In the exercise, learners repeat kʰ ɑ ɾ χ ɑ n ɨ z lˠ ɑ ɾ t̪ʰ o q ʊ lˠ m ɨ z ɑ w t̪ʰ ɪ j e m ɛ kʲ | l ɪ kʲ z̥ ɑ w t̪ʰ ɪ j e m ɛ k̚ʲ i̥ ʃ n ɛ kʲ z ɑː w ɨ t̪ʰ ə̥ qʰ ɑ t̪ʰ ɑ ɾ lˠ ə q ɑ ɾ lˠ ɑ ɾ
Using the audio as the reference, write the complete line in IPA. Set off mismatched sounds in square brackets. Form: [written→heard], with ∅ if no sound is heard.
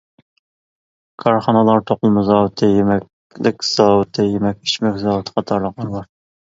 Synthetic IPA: kʰ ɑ ɾ χ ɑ n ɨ [z→∅] lˠ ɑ ɾ t̪ʰ o q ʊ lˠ m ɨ z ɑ w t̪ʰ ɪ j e m ɛ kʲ | l ɪ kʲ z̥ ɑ w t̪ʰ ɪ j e m ɛ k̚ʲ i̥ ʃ [n→m] ɛ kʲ z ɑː w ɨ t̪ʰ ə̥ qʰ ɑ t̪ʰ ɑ ɾ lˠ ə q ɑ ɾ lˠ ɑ ɾ